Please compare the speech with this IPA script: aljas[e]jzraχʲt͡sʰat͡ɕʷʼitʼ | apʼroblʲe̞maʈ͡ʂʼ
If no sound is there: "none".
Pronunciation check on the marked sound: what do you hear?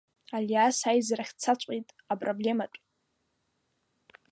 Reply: a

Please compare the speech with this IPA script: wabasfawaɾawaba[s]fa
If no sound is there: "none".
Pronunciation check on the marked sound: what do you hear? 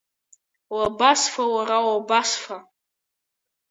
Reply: s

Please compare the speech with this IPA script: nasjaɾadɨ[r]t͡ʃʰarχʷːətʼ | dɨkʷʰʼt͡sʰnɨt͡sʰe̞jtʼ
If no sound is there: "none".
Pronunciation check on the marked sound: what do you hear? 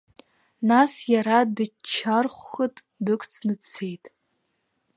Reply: none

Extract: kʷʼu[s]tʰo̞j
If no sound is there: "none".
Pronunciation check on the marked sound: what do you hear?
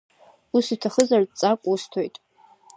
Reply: s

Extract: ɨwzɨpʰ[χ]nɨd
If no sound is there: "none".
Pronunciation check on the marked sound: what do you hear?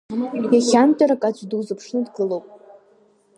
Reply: ʂ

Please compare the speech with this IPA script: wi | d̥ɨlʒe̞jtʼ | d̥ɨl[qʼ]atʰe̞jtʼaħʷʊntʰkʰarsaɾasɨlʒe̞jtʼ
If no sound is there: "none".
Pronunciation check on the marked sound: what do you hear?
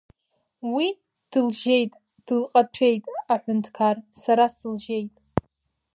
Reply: qʼ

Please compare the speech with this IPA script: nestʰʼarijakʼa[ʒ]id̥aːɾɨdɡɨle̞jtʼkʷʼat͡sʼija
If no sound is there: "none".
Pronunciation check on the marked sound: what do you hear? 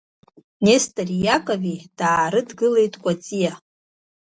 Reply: v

